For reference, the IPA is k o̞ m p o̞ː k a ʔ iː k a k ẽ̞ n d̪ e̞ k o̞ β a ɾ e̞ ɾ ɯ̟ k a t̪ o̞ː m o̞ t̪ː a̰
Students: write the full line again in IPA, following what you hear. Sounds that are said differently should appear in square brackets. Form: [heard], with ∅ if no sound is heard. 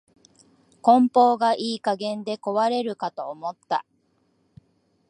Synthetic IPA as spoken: k [õ̞] m p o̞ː [ɡ] a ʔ iː k a [ɡ] ẽ̞ n d̪ e̞ k o̞ β a ɾ e̞ ɾ ɯ̟ k a t̪ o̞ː m o̞ t̪ː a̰